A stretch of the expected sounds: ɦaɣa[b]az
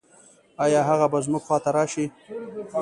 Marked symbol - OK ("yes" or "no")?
yes